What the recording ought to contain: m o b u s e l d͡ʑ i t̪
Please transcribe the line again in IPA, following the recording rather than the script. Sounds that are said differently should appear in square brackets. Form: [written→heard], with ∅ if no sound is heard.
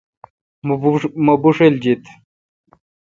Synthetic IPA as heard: m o b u [s→ʂ] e l d͡ʑ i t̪

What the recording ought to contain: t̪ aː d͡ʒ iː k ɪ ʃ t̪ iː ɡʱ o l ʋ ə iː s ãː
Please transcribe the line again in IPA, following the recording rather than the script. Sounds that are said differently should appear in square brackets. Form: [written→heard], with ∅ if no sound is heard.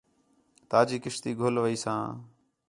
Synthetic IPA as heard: t̪ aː d͡ʒ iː k ɪ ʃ t̪ iː ɡʱ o l ʋ ə iː s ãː

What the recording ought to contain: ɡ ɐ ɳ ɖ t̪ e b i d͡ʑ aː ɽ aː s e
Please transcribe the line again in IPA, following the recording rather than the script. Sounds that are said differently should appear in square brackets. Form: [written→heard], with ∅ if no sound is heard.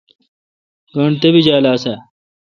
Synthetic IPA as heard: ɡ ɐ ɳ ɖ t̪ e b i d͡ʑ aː [ɽ→l] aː s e

